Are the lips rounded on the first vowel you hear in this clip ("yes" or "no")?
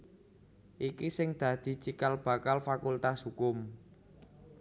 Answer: no